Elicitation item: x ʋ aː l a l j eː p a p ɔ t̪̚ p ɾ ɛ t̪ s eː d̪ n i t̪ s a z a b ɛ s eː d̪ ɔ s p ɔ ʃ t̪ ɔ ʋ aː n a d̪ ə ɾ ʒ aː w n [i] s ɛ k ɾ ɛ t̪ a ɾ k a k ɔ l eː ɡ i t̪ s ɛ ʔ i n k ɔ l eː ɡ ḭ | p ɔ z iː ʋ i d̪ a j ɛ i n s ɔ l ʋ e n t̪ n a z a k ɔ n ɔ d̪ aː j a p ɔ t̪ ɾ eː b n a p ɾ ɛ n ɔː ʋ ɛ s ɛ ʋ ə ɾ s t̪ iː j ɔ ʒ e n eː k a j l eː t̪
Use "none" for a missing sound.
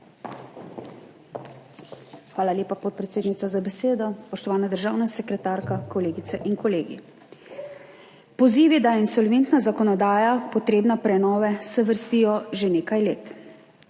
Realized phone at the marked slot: a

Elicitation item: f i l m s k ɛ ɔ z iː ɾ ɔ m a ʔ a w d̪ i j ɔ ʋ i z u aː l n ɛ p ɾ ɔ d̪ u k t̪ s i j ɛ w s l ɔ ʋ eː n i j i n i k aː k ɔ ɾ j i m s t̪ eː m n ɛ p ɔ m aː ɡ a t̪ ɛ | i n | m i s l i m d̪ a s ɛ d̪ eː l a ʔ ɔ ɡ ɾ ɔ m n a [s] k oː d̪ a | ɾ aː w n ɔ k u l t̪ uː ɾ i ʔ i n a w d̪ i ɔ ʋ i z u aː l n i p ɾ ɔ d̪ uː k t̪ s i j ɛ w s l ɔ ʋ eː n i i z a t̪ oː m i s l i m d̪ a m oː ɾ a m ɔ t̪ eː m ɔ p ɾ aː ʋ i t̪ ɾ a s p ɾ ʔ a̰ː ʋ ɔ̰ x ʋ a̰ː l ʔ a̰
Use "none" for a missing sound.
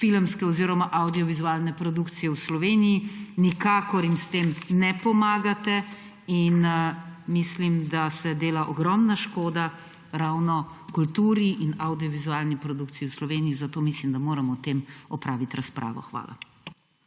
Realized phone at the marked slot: ʃ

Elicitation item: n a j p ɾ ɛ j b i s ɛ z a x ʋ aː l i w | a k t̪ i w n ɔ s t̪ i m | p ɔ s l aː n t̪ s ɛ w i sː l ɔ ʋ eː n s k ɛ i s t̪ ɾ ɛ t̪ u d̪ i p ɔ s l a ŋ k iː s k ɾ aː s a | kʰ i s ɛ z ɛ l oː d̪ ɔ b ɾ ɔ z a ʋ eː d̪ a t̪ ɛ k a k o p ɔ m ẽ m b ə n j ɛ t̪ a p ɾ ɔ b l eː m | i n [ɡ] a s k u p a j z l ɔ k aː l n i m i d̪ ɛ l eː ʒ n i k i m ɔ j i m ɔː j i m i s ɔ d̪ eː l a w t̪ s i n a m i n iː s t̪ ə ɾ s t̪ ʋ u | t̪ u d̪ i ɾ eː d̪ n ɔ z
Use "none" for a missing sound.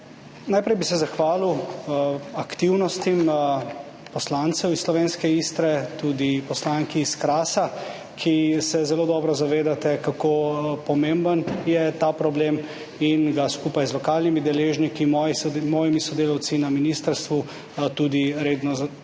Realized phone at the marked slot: ɡ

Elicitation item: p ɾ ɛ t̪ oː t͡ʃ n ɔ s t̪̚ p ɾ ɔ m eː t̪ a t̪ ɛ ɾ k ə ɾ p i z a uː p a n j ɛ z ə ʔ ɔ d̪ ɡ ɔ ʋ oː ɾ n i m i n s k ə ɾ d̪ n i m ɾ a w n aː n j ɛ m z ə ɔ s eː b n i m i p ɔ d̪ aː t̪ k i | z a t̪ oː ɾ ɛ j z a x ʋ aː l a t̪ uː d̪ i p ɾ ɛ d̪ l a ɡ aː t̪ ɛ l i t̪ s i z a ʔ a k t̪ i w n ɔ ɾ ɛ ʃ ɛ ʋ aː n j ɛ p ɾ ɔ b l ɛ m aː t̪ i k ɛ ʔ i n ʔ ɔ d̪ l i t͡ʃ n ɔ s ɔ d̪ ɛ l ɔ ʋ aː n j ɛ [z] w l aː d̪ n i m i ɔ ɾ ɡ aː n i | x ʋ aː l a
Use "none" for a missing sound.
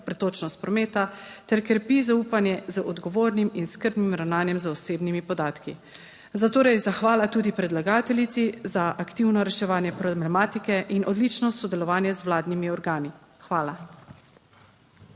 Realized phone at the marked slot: z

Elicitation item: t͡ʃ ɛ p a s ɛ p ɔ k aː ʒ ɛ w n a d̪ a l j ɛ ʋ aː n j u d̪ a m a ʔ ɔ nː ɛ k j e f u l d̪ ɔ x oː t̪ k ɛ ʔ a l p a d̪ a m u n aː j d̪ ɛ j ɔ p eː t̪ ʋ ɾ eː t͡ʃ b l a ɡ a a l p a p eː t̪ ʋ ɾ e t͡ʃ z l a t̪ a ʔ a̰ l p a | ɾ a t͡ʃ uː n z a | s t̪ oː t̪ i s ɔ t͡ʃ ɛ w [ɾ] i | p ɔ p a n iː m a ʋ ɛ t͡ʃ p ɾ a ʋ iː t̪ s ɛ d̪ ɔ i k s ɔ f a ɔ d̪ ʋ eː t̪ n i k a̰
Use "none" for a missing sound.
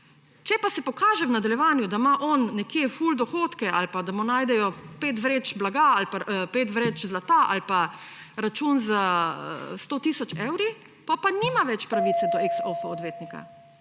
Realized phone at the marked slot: ɾ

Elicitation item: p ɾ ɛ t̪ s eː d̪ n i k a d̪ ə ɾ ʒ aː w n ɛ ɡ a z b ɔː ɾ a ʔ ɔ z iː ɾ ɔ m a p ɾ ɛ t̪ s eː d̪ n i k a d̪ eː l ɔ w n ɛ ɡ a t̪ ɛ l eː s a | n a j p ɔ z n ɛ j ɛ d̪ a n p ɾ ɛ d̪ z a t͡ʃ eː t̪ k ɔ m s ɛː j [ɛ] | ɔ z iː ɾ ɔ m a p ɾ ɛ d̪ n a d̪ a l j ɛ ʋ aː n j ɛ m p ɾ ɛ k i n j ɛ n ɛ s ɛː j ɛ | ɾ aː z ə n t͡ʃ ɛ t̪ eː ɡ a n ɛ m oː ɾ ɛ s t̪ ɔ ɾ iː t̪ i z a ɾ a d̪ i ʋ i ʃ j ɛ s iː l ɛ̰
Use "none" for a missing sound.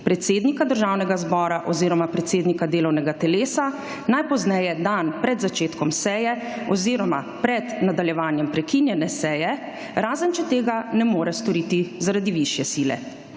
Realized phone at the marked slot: ɛ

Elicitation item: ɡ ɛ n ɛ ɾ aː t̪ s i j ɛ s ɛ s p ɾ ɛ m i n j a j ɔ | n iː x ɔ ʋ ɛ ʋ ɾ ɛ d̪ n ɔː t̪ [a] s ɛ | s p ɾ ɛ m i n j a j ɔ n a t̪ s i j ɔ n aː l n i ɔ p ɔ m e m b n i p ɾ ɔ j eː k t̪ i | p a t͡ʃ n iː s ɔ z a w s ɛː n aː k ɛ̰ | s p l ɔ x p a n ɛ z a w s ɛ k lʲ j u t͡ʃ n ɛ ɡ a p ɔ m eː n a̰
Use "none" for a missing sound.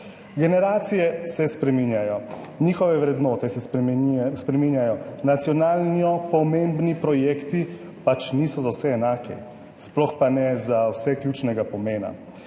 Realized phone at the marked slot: ɛ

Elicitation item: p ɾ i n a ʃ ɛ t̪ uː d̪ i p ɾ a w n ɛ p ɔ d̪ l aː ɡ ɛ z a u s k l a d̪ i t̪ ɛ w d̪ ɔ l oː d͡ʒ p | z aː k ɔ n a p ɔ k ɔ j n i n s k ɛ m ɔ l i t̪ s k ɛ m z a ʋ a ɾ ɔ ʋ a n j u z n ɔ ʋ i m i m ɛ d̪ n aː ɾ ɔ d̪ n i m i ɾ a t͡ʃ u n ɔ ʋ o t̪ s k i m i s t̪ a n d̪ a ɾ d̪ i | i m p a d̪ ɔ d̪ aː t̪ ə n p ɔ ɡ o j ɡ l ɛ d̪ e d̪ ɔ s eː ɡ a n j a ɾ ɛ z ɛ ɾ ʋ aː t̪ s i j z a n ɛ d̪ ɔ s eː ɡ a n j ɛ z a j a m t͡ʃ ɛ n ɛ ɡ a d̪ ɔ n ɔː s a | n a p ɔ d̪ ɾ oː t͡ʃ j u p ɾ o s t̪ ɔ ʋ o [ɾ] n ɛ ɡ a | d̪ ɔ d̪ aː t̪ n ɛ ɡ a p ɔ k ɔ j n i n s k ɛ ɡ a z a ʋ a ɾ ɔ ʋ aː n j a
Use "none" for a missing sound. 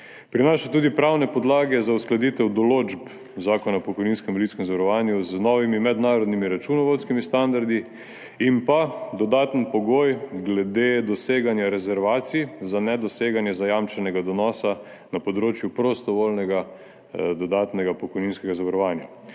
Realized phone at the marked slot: l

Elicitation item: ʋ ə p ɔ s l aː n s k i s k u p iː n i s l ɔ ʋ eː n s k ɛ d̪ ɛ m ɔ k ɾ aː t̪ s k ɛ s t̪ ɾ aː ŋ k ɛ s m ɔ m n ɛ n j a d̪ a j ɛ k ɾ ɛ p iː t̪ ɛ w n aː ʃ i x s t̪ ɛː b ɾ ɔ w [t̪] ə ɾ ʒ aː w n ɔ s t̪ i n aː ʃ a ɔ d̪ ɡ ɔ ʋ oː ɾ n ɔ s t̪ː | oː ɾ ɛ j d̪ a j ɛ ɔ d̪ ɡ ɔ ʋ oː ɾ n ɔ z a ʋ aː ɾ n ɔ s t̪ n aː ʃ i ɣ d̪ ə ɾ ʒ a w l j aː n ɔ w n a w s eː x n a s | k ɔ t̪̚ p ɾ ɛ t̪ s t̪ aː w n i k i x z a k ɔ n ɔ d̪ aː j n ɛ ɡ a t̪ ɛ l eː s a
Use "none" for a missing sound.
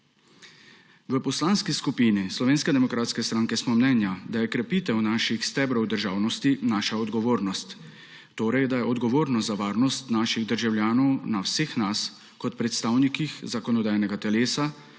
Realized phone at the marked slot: d̪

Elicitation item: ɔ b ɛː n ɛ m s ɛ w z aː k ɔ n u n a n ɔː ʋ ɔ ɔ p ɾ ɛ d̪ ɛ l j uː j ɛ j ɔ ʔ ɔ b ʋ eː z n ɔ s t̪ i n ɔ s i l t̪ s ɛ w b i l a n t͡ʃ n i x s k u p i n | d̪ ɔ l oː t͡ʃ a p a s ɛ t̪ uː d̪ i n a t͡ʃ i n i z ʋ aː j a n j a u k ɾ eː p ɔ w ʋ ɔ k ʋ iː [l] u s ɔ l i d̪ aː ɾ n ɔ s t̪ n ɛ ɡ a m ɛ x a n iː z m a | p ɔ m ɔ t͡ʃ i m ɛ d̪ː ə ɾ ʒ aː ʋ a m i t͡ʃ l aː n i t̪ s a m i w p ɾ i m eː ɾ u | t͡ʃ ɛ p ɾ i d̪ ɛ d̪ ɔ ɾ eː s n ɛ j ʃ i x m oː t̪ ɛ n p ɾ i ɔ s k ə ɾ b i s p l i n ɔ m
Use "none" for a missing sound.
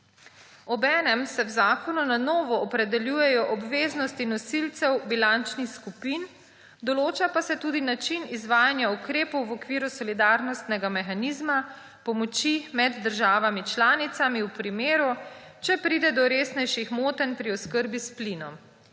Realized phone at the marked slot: ɾ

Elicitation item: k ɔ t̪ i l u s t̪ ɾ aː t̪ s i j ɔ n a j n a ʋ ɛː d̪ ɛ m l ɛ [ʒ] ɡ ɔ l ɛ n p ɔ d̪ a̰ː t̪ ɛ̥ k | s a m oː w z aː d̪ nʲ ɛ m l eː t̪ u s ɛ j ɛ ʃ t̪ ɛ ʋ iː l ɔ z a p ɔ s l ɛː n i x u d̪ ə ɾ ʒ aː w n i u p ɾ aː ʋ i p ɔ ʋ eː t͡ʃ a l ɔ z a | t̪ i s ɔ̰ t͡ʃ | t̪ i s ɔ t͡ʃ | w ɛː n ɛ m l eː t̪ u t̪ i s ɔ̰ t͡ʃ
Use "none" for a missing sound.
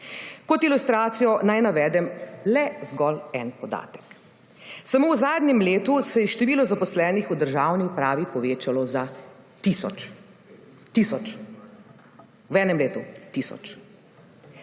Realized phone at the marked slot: z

